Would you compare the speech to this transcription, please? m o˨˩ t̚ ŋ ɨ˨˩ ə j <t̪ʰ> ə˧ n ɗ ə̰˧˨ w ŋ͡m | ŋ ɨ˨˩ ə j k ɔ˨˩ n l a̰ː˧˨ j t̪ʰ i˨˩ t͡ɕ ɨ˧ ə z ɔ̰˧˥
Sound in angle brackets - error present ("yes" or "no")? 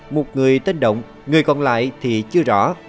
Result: yes